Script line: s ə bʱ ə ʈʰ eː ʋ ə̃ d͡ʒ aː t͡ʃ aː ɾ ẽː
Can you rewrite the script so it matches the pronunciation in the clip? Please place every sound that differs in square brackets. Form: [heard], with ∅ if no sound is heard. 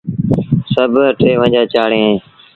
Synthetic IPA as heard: s ə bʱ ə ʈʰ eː ʋ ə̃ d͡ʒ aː t͡ʃ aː [ɽ] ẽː